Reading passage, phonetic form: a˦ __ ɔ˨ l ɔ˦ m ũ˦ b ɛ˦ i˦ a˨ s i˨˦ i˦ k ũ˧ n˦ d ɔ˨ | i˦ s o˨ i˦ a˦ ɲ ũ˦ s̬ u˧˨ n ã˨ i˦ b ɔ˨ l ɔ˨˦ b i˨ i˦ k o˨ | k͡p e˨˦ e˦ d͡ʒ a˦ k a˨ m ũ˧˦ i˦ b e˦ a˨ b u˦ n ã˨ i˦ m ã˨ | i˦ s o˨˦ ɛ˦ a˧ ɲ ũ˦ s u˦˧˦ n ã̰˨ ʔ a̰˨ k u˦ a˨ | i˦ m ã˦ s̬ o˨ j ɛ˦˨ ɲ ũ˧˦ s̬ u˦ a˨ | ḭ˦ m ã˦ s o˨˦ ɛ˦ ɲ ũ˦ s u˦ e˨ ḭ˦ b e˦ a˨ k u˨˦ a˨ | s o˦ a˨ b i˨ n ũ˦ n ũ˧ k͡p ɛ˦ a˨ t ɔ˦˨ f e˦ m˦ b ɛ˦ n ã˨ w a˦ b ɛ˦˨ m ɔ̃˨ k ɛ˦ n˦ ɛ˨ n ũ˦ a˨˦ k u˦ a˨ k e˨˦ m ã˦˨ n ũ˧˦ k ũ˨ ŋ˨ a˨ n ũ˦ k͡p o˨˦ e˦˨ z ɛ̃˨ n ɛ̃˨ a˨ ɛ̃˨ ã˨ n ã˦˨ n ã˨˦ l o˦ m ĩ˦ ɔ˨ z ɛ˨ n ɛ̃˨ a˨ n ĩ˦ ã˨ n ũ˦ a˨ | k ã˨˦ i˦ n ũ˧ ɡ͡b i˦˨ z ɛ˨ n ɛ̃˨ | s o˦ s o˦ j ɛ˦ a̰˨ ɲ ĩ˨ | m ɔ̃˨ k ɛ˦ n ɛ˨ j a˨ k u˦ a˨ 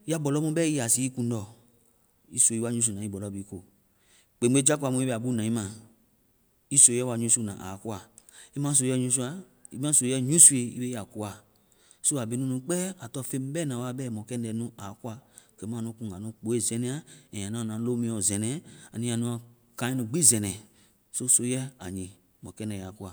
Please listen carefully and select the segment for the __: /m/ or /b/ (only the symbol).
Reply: b